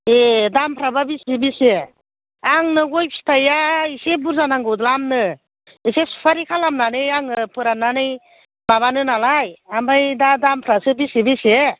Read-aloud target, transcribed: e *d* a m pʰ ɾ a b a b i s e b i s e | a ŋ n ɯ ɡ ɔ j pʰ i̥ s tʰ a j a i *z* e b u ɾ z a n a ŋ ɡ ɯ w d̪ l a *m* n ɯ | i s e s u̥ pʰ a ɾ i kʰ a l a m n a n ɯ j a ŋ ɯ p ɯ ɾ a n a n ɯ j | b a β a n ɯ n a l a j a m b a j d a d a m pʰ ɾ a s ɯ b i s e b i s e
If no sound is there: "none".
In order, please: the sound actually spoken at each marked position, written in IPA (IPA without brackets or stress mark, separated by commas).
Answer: d, s, m